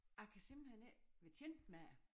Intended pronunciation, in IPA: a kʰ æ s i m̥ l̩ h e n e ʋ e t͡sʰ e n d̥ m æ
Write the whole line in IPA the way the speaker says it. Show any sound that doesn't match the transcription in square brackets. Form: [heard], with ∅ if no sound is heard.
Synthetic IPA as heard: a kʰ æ s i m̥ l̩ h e n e ʋ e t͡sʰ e n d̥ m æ